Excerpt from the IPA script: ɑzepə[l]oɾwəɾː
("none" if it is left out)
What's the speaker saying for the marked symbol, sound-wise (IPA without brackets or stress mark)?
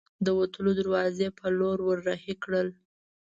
l